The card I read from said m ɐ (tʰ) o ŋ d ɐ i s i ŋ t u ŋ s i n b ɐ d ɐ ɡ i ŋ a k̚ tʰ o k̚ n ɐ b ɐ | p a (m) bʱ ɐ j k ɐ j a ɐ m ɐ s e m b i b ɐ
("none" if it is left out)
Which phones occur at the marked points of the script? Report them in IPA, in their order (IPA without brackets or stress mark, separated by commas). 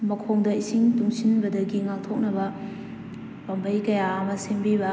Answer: kʰ, m